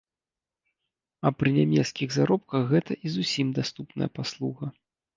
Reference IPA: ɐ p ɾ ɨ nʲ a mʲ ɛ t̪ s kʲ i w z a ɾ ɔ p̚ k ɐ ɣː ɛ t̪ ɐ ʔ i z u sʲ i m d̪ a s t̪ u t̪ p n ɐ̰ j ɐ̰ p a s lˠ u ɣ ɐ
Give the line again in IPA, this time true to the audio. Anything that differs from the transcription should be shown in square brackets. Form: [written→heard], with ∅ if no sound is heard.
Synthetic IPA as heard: ɐ p ɾ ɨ nʲ a mʲ ɛ t̪ s kʲ i [w→ɣ] z a ɾ ɔ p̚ k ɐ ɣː ɛ t̪ ɐ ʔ i z u sʲ i m d̪ a s t̪ u [t̪→∅] p n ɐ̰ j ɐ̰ p a s lˠ u ɣ ɐ